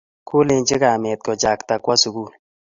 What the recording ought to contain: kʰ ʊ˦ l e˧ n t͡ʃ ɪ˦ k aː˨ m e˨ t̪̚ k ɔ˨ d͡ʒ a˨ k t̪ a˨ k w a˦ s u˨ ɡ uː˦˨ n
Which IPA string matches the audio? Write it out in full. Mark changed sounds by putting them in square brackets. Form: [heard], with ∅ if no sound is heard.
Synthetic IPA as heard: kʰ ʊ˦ l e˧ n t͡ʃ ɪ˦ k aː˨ m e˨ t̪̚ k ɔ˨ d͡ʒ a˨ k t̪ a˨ k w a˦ s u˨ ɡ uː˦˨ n

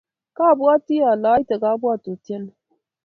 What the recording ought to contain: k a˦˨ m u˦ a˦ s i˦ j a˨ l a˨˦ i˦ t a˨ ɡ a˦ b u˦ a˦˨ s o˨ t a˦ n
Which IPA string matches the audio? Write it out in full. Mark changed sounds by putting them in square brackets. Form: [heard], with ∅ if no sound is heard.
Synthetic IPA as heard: k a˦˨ [b] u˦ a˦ [t] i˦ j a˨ l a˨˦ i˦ t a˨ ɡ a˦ b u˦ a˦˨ [t] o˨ t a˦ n

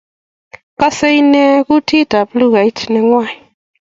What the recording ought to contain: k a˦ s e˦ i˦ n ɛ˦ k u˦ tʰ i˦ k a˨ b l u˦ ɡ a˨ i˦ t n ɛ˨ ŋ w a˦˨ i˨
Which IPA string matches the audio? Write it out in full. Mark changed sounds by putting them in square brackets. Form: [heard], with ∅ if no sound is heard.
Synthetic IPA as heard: k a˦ s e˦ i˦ n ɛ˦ k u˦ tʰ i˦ [t] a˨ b l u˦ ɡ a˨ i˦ t n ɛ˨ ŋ w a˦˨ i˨

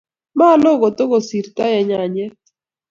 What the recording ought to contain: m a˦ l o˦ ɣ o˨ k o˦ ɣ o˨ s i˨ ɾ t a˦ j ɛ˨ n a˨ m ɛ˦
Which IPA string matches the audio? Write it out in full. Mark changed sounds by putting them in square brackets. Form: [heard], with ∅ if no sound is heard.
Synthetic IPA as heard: m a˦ l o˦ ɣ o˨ [t] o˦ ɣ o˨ s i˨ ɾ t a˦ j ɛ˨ [ɲ] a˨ [ɲ] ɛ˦

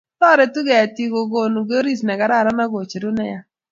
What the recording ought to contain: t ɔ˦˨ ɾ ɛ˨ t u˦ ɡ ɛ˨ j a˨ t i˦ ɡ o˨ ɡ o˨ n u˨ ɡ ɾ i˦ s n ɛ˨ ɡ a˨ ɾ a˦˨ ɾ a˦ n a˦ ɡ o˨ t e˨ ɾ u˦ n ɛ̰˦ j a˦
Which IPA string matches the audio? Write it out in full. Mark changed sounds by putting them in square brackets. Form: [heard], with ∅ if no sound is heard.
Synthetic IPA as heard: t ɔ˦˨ ɾ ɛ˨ t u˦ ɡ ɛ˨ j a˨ t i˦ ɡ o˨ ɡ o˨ n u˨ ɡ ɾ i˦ s n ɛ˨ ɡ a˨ ɾ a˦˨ ɾ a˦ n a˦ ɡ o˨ [t͡ʃ] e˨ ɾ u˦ n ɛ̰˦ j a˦

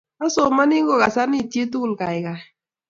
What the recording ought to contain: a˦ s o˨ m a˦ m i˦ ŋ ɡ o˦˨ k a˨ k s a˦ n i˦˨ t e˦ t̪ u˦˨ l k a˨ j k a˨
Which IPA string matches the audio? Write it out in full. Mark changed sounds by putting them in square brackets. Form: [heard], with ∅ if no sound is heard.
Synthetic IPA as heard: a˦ s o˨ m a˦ [n] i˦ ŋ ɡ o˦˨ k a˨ [∅] s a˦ n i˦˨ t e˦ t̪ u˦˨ l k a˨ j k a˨

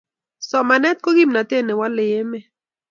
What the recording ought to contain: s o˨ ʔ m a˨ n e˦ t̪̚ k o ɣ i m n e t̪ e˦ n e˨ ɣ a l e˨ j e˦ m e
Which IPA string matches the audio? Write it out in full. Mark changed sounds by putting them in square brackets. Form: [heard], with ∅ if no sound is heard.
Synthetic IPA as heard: s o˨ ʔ m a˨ n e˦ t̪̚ k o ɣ i m n [a] t̪ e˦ n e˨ [w] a l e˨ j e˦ m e

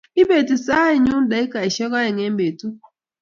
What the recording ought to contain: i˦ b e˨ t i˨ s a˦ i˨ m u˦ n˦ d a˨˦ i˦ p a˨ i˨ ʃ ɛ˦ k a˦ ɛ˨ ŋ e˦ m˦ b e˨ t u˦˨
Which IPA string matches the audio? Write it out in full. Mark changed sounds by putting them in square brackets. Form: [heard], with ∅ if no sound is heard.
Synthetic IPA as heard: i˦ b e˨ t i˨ s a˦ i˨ [ɲ] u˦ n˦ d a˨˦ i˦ [k] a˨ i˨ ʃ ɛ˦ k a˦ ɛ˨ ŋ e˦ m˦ b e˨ t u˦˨

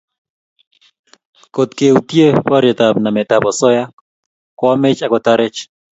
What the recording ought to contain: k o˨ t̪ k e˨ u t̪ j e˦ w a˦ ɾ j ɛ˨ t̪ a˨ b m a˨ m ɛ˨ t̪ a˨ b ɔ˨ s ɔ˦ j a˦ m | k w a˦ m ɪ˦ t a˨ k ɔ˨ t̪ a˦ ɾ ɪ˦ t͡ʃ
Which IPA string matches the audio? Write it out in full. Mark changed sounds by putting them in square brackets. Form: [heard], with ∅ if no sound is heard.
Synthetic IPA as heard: k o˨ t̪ k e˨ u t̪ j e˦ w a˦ ɾ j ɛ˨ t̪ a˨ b [n] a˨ m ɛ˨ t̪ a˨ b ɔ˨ s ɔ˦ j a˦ [∅] | k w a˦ m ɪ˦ [t͡ʃ] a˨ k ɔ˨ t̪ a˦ ɾ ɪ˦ t͡ʃ

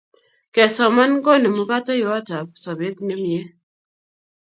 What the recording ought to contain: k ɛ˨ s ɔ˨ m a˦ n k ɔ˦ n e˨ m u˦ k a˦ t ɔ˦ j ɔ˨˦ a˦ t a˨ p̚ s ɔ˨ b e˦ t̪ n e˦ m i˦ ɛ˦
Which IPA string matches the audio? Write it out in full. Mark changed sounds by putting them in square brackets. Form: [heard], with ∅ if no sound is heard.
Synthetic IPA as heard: k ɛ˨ s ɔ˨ m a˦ n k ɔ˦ n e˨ m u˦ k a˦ t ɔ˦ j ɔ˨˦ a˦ t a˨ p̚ s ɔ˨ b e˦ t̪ n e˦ m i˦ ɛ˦

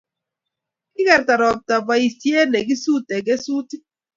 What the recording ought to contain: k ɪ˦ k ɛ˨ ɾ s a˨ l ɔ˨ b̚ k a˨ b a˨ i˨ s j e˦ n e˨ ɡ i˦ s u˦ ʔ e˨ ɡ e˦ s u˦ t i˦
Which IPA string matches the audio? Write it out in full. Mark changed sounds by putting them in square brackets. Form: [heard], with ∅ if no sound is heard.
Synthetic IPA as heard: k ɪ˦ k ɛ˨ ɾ [t] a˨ [ɾ] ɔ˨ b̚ [t] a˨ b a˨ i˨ s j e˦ n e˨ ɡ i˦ s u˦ [t] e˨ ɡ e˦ s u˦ t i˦

